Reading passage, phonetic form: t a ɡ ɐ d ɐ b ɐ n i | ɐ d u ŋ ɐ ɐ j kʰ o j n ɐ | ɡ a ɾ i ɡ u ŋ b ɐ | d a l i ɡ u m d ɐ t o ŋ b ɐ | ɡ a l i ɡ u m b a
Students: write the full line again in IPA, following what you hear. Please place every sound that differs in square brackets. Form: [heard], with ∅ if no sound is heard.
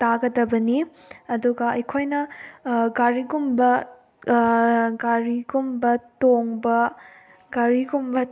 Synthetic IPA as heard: t a ɡ ɐ d ɐ b ɐ n i | ɐ d u [ɡ] ɐ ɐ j kʰ o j n ɐ | ɡ a ɾ i ɡ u [m] b ɐ | [ɡ] a [ɾ] i ɡ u m [b] ɐ t o ŋ b ɐ | ɡ a [ɾ] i ɡ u m b [ɐ]